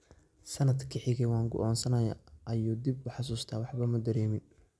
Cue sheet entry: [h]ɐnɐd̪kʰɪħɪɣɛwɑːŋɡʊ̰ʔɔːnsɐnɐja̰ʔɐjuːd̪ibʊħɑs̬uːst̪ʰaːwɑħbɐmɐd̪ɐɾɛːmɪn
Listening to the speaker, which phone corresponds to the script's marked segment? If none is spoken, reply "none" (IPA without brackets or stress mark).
s